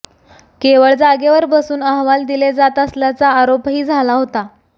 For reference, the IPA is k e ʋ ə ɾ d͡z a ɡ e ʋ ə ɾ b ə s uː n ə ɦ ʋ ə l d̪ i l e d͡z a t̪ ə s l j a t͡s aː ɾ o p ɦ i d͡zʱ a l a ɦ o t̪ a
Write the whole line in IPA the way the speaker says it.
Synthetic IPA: k e ʋ ə ɭ d͡z a ɡ e ʋ ə ɾ b ə s uː n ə ɦ ʋ a l d̪ i l e d͡z a t̪ ə s l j a t͡s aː ɾ o p ɦ iː d͡zʱ a l a ɦ o t̪ a